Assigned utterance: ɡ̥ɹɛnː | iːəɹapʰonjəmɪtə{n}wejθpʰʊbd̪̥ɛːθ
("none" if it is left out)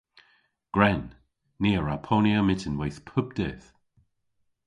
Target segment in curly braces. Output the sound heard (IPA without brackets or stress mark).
n